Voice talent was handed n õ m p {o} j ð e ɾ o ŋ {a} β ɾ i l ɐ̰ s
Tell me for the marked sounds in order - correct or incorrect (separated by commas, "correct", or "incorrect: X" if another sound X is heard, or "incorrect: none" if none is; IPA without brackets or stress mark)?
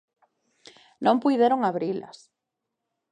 incorrect: u, correct